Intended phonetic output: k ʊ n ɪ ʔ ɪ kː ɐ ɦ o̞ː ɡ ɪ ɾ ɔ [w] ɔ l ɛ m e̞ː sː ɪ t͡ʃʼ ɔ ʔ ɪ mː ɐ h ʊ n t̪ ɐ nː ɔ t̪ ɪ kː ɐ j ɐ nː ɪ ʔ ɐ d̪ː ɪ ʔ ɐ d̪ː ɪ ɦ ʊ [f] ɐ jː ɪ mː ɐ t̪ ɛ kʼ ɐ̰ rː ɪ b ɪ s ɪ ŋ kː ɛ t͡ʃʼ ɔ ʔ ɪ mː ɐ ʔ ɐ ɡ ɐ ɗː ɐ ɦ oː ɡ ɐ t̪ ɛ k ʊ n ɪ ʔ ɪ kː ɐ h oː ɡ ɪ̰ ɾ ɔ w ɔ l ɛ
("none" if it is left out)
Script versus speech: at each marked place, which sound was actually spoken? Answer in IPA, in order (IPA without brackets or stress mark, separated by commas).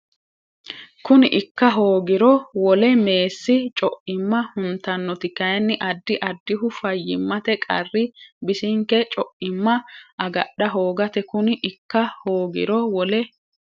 w, f